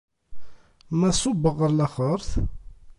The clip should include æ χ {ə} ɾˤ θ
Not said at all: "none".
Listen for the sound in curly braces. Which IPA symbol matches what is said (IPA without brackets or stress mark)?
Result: ə